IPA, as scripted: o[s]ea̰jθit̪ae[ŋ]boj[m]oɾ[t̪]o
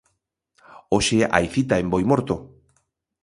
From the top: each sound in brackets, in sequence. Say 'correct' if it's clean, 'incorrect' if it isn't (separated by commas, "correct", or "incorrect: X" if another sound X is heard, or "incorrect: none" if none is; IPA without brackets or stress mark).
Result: incorrect: ʃ, incorrect: m, correct, correct